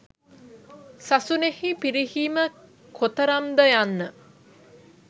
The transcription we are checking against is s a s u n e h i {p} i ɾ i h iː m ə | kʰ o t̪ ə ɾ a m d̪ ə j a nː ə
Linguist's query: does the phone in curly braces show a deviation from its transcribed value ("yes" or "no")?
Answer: no